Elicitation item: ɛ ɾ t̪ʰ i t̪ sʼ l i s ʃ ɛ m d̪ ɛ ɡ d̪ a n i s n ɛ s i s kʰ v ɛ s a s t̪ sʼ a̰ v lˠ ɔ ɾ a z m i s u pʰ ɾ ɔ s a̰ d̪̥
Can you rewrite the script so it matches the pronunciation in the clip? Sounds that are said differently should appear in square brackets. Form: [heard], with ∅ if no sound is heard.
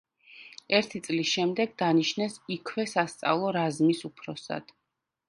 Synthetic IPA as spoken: ɛ ɾ t̪ʰ i t̪ sʼ l i s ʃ ɛ m d̪ ɛ ɡ d̪ a n i [ʃ] n ɛ s i [∅] kʰ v ɛ s a s t̪ sʼ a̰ v lˠ ɔ ɾ a z m i s u pʰ ɾ ɔ s a̰ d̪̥